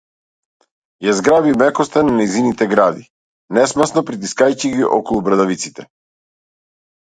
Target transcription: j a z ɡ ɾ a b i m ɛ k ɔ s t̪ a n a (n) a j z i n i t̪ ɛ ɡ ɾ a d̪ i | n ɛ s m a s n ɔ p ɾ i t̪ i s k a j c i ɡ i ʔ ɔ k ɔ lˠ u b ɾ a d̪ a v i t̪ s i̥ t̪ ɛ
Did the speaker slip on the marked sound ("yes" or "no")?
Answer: no